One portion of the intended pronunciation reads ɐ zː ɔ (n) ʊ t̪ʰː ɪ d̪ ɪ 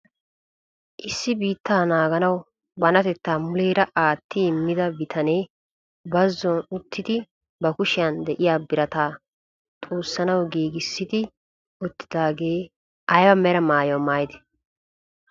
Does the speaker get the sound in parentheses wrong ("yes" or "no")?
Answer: no